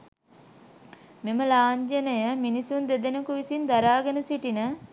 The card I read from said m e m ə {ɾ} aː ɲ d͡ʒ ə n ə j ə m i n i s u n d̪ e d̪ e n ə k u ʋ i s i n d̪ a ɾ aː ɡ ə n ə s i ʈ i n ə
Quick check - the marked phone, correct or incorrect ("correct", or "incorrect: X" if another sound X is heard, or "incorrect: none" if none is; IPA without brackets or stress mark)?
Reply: incorrect: l